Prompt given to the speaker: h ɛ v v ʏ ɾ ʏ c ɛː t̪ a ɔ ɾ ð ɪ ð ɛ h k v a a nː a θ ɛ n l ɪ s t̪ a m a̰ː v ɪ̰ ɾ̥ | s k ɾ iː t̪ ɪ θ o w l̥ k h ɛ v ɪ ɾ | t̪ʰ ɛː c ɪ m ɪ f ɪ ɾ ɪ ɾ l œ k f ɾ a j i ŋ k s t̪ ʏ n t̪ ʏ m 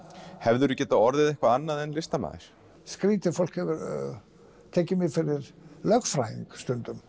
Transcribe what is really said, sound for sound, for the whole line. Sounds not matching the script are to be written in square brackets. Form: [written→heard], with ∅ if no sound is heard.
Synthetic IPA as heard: h ɛ v [v→ð] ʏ ɾ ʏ c ɛː t̪ a ɔ ɾ ð ɪ ð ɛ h k v a a nː a [θ→ð] ɛ n l ɪ s t̪ a m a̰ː [v→ð] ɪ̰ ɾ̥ | s k ɾ iː t̪ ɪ [θ→f] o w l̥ k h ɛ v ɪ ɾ | t̪ʰ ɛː c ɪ m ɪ f ɪ ɾ ɪ ɾ l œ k f ɾ a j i ŋ k s t̪ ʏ n t̪ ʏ m